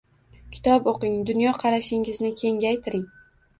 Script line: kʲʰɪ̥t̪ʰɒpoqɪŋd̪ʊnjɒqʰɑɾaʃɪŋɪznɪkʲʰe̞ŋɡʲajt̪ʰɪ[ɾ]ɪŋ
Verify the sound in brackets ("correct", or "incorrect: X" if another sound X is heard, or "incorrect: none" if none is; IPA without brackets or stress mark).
correct